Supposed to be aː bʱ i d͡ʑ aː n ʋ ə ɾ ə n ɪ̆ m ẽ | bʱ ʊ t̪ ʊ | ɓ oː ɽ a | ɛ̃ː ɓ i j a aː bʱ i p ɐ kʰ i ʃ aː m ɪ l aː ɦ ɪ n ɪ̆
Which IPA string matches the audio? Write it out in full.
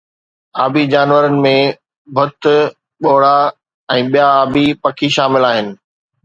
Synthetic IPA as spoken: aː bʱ i d͡ʑ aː n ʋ ə ɾ ə n ɪ̆ m ẽ | bʱ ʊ t̪ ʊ | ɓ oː ɽ a | ɛ̃ː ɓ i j a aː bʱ i p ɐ kʰ i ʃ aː m ɪ l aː ɦ ɪ n ɪ̆